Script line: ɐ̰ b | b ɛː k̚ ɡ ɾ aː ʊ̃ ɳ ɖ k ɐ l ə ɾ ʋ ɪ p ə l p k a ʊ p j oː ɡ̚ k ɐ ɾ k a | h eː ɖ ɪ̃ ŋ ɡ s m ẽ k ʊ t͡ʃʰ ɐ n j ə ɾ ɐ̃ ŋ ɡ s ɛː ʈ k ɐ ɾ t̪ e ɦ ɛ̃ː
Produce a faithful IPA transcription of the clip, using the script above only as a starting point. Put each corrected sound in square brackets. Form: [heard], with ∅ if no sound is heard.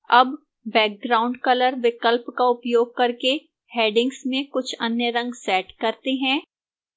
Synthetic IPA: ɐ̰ b | b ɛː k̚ ɡ ɾ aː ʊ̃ ɳ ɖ k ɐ l ə ɾ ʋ ɪ [k] ə l p k a ʊ p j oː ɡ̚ k ɐ ɾ k [e] | h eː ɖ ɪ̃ ŋ ɡ s m ẽ k ʊ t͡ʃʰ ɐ n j ə ɾ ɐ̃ ŋ ɡ s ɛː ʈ k ɐ ɾ t̪ e ɦ ɛ̃ː